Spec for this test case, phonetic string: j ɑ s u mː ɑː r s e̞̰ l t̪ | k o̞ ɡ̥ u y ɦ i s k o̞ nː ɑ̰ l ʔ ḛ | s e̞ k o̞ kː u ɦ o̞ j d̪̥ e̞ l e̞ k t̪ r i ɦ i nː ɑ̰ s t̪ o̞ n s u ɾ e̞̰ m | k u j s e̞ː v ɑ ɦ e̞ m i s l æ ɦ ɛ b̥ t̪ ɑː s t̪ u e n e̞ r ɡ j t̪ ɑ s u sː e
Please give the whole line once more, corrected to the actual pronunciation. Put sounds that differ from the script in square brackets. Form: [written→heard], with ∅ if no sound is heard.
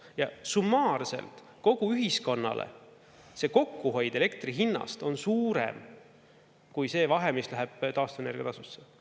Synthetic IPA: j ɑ s u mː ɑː r s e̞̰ l t̪ | k o̞ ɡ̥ u y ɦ i s k o̞ nː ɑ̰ l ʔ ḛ | s e̞ k o̞ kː u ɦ o̞ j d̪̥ e̞ l e̞ k t̪ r i ɦ i nː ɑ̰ s t̪ o̞ n s [u→uː] ɾ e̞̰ m | k u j s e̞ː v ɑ ɦ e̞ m i s l æ ɦ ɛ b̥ t̪ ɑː s t̪ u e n e̞ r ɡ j t̪ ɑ s u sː e